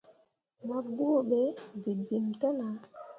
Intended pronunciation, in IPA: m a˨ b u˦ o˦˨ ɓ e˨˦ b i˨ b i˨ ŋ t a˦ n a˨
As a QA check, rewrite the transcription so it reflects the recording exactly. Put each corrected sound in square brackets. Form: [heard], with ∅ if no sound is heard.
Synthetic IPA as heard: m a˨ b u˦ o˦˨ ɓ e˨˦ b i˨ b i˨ [m] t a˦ n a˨